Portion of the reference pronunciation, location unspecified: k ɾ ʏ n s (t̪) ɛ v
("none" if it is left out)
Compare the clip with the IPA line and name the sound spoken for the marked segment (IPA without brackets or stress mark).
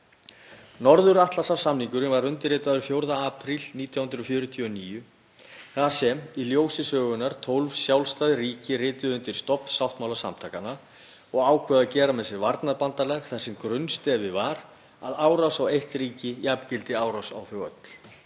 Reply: t̪